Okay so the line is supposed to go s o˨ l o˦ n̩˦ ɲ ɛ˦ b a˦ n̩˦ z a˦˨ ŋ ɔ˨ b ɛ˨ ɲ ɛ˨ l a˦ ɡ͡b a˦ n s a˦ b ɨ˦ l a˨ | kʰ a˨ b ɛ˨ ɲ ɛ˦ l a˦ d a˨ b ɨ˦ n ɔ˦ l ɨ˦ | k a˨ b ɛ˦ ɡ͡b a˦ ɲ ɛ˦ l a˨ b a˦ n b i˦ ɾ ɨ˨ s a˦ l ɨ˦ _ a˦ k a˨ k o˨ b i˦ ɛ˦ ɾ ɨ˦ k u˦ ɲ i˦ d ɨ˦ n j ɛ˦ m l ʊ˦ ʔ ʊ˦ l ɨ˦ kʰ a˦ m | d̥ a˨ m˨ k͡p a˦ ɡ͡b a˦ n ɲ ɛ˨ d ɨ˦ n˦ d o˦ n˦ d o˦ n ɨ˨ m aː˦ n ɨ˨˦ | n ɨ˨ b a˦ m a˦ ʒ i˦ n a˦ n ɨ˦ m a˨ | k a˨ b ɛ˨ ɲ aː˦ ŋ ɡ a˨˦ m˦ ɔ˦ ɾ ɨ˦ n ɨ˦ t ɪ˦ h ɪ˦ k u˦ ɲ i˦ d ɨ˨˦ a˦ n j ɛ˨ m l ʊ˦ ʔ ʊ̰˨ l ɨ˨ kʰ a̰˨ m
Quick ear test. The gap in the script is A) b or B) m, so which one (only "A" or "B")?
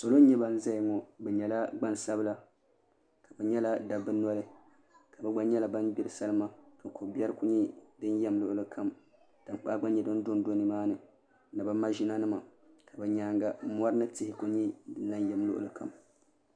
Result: B